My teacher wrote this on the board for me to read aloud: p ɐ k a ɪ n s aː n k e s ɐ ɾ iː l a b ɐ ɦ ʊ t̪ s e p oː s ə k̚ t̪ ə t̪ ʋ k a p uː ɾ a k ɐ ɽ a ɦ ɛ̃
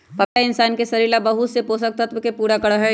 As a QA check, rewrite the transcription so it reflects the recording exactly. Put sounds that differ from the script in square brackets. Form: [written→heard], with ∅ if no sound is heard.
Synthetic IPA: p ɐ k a ɪ n s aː n k e s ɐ ɾ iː l a b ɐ ɦ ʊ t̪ s e p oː s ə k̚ t̪ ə t̪ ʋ k [a→e] p uː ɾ a k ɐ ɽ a ɦ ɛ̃